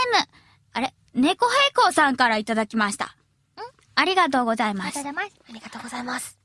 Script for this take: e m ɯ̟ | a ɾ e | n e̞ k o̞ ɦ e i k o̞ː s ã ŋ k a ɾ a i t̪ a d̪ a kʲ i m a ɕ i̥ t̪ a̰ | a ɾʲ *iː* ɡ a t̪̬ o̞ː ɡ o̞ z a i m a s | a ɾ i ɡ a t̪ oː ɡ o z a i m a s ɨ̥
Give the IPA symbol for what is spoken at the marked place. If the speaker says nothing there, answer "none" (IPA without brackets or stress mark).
i